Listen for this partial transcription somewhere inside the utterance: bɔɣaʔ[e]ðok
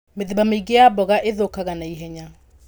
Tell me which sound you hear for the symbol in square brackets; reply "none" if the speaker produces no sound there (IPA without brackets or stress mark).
e